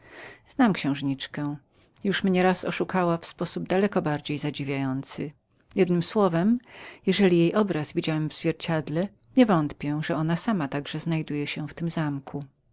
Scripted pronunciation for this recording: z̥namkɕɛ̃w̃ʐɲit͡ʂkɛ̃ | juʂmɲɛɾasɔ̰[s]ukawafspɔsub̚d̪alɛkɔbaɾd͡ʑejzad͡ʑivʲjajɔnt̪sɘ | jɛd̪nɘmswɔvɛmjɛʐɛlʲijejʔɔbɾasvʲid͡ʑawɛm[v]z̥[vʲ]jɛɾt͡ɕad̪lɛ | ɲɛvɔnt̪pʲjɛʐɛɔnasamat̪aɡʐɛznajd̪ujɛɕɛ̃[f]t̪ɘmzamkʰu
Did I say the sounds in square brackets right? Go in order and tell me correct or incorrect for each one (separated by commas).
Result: incorrect, correct, correct, correct